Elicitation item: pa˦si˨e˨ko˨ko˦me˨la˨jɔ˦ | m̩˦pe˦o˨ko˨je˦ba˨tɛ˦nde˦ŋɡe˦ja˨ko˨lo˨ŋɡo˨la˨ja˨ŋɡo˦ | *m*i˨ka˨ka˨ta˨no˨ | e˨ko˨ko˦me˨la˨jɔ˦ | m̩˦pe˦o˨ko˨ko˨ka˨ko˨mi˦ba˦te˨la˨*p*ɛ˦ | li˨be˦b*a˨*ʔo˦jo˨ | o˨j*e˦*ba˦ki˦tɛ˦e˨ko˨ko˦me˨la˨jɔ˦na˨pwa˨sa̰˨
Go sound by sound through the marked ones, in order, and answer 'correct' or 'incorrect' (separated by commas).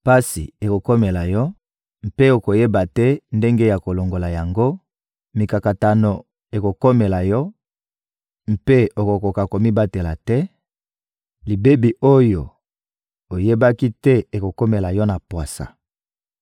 correct, incorrect, incorrect, correct